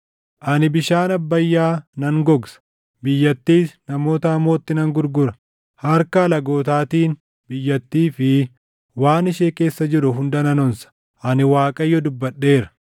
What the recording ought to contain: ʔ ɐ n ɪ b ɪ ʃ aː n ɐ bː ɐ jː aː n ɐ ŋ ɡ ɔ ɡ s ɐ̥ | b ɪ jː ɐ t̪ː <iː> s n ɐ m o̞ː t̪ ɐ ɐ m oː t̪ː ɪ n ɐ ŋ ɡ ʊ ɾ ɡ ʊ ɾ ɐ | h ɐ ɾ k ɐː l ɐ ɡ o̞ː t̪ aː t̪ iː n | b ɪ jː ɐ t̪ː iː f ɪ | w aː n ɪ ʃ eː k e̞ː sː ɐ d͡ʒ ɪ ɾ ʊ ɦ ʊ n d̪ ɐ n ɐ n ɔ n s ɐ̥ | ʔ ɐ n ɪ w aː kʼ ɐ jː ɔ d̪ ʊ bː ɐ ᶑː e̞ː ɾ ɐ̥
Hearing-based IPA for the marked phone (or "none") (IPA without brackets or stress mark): iː